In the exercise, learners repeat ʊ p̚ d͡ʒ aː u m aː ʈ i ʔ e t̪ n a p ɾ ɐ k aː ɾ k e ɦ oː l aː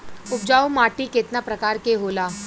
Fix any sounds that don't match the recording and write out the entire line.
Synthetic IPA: ʊ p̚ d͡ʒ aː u m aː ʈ i k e t̪ n a p ɾ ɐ k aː ɾ k e ɦ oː l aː

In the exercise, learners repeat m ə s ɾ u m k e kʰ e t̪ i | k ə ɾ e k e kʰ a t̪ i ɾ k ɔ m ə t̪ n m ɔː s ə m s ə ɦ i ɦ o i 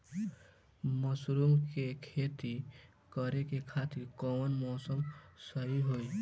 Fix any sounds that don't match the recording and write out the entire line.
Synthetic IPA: m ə s ɾ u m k e kʰ e t̪ i | k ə ɾ e k e kʰ a t̪ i ɾ k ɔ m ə n m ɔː s ə m s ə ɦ i ɦ o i

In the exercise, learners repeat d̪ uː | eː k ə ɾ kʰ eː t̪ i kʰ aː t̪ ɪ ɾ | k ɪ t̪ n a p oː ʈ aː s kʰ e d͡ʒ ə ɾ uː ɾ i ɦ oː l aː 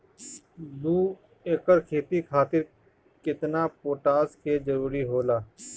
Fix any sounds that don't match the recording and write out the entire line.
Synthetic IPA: d̪ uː | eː k ə ɾ kʰ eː t̪ i kʰ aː t̪ ɪ ɾ | k ɪ t̪ n a p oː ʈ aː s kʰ e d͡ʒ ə ɾ uː ɾ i ɦ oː l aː

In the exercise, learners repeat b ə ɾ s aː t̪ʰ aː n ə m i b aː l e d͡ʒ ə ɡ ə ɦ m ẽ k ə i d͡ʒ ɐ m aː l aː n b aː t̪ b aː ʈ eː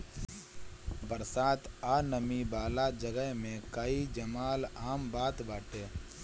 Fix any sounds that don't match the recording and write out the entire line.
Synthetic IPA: b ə ɾ s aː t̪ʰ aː n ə m i b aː l a d͡ʒ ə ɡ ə ɦ m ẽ k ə i d͡ʒ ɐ m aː l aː m b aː t̪ b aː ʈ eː

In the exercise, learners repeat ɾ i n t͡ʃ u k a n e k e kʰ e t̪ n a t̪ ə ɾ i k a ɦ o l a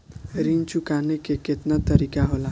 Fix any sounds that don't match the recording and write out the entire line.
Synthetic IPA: ɾ i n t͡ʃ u k a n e k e k e t̪ n a t̪ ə ɾ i k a ɦ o l a

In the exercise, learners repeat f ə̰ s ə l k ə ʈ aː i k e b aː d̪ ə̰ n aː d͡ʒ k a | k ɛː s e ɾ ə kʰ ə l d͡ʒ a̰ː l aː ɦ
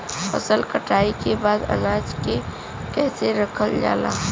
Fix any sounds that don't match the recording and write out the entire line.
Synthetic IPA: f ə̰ s ə l k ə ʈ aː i k e b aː d̪ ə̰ n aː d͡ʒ k e | k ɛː s e ɾ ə kʰ ə l d͡ʒ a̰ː l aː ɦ

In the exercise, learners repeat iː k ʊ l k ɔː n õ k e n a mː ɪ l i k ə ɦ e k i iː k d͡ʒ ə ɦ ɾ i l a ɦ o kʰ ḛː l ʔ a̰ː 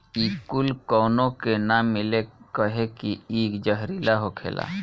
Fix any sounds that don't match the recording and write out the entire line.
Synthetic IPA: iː k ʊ l k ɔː n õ k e n a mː ɪ l e k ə ɦ e k i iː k d͡ʒ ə ɦ ɾ i l a ɦ o kʰ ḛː l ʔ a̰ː

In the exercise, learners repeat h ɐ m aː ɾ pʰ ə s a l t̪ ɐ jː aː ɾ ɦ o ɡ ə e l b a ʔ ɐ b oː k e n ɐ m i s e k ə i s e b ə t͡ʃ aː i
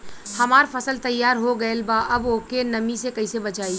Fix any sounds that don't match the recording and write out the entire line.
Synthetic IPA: h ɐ m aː ɾ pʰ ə s ə l t̪ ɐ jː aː ɾ ɦ o ɡ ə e l b a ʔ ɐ b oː k e n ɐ m i s e k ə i s e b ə t͡ʃ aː i

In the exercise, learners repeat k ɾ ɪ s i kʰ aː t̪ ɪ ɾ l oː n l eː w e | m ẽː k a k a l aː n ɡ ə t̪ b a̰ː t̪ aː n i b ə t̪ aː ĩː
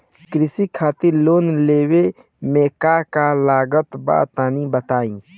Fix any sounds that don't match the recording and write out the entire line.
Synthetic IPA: k ɾ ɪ s i kʰ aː t̪ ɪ ɾ l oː n l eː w e | m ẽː k a k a l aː ɡ ə t̪ b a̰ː t̪ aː n i b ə t̪ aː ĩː

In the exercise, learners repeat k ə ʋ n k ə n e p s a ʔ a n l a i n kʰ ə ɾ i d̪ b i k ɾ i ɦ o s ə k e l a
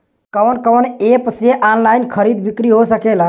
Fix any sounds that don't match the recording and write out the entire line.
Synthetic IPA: k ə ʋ n k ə n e p s e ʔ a n l a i n kʰ ə ɾ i d̪ b i k ɾ i ɦ o s ə k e l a

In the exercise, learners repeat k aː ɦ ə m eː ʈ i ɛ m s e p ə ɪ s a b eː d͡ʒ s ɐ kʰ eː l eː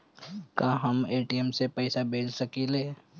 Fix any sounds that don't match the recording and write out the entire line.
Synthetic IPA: k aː ɦ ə m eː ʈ i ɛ m s e p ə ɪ s a b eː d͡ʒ s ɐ k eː l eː

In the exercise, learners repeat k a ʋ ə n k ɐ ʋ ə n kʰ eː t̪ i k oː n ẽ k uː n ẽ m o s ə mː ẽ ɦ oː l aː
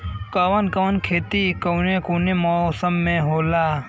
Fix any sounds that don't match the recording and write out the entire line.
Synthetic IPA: k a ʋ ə n k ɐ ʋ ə n kʰ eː t̪ i k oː n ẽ k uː n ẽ m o s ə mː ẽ ɦ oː l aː

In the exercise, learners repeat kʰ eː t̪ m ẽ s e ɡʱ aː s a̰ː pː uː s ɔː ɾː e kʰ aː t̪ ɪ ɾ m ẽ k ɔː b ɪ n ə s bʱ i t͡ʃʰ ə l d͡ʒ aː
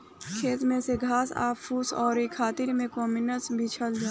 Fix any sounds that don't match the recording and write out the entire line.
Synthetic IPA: kʰ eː t̪ m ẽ s e ɡʱ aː s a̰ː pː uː s ɔː ɾ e kʰ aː t̪ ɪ ɾ m ẽ k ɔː m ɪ n ə s bʱ i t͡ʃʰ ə l d͡ʒ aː

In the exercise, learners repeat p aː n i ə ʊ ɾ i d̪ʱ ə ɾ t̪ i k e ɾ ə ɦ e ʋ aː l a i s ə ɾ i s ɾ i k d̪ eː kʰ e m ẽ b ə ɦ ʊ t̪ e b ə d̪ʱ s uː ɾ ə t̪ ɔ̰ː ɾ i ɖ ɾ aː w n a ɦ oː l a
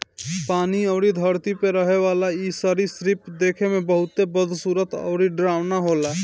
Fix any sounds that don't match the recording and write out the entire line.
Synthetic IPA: p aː n i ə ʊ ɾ i d̪ʱ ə ɾ t̪ i p e ɾ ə ɦ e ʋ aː l a i s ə ɾ i s ɾ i p d̪ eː kʰ e m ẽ b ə ɦ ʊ t̪ e b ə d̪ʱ s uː ɾ ə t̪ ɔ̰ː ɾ i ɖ ɾ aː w n a ɦ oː l a

